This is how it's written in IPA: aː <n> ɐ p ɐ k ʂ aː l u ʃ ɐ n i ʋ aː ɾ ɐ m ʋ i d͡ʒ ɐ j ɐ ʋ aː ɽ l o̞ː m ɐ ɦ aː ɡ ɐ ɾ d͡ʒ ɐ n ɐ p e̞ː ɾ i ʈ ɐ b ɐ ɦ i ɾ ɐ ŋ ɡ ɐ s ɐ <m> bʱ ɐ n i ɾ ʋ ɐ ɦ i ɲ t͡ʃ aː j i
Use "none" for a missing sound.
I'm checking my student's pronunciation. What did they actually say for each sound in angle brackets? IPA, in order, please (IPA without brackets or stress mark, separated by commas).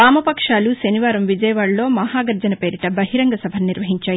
m, none